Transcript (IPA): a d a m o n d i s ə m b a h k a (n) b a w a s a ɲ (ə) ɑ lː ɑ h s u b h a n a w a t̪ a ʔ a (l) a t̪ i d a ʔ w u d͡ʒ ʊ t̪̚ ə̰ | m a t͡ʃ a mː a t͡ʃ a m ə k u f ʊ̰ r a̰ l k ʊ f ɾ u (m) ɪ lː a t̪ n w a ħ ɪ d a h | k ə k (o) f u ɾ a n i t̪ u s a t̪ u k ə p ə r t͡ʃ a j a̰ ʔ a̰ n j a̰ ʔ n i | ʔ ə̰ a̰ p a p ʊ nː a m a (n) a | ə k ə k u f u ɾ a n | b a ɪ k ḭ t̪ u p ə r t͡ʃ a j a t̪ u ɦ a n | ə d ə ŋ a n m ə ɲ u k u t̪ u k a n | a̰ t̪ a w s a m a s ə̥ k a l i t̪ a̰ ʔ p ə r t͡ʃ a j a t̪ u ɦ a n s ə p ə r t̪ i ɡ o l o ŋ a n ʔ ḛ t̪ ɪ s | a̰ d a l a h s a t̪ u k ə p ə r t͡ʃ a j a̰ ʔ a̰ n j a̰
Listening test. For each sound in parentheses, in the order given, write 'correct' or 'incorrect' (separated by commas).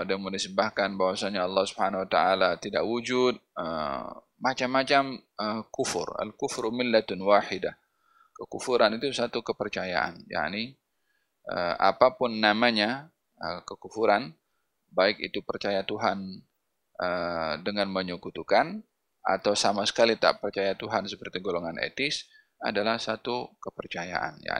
correct, incorrect, correct, correct, incorrect, incorrect